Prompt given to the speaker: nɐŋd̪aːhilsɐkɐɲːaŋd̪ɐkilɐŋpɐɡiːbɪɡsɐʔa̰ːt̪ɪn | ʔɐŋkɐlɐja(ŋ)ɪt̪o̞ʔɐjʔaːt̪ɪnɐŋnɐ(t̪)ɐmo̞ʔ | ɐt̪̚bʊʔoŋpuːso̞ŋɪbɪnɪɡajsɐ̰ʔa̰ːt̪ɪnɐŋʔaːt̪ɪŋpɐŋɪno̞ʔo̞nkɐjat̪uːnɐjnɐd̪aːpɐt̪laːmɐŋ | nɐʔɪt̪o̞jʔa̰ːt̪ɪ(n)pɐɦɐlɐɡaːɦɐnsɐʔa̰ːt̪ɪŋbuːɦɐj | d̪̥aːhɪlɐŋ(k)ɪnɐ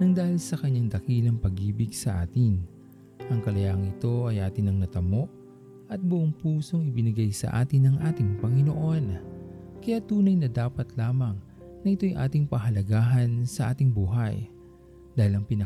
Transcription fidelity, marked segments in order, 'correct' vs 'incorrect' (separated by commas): correct, correct, incorrect, incorrect